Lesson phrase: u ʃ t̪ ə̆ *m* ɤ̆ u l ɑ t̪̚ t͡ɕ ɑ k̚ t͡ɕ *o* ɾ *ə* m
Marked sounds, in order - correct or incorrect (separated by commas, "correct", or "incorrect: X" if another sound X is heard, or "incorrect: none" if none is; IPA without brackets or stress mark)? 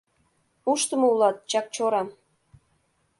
correct, correct, incorrect: ɑ